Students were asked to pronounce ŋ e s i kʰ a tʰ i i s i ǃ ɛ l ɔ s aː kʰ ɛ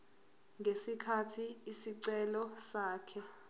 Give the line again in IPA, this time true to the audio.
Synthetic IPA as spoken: ŋ e s i kʰ a tʰ i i s i ǀ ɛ l ɔ s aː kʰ ɛ